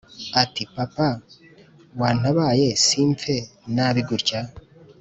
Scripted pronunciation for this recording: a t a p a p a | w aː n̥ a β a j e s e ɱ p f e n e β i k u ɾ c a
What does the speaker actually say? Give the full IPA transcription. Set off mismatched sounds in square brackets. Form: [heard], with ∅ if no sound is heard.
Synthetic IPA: a t [i] p a p a | w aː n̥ a β a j e s [i] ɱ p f e n [a] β i [ɡ] u ɾ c a